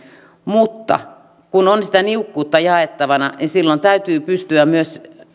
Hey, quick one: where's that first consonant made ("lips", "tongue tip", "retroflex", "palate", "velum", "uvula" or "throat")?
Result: lips